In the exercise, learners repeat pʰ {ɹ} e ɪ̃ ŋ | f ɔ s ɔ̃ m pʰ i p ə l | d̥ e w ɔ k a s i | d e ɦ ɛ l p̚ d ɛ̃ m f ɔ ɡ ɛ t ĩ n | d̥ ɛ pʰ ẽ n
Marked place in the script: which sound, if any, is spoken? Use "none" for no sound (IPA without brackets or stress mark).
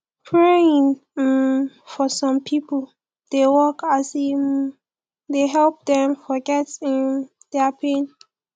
ɹ